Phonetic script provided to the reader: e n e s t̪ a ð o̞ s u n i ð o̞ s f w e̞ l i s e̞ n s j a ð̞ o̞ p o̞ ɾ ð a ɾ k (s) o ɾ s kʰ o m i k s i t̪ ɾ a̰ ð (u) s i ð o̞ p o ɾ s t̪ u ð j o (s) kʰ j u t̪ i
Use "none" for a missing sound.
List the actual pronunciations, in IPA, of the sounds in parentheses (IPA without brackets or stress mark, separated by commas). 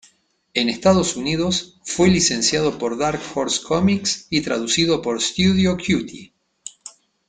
f, u, none